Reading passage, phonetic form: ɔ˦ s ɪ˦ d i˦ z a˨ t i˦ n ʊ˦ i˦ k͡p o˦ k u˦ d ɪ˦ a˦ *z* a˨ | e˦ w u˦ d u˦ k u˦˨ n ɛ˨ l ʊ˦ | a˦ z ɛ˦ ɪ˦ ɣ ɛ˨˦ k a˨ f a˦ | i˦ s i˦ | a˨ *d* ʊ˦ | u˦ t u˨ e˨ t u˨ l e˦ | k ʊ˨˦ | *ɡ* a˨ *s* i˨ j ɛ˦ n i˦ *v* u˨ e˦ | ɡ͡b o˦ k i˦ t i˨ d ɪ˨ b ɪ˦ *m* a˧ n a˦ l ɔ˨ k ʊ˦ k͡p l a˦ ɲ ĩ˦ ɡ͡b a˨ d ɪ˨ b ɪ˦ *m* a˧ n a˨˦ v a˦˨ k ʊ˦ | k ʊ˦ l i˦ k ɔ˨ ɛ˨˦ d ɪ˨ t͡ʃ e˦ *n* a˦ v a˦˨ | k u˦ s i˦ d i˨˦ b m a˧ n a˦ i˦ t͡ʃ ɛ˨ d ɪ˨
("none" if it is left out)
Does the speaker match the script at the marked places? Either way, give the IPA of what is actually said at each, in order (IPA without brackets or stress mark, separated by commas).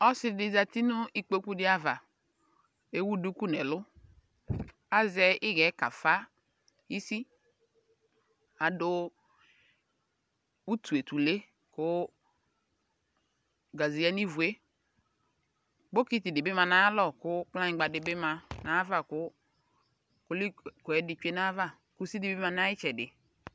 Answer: v, d, ɡ, z, v, m, m, n